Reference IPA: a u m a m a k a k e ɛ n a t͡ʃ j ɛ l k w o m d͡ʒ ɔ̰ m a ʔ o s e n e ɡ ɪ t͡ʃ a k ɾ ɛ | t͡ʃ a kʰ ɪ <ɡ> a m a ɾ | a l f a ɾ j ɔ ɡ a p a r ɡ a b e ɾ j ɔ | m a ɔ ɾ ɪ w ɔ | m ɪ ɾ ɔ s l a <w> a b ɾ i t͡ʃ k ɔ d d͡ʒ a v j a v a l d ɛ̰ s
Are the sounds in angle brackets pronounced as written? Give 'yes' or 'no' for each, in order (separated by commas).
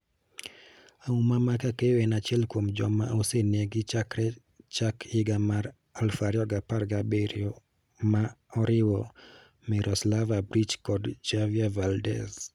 yes, no